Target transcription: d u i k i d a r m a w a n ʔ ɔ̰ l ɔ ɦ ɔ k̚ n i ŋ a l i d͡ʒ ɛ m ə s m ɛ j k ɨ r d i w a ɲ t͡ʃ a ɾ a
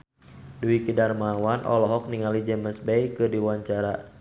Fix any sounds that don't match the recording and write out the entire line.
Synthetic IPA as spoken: d u i k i d a r m a w a n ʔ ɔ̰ l ɔ ɦ ɔ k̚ n i ŋ a l i d͡ʒ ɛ m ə s b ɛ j k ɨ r d i w a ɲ t͡ʃ a ɾ a